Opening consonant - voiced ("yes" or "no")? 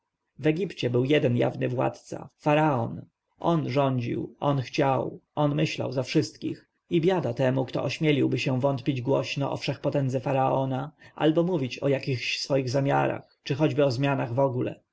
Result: yes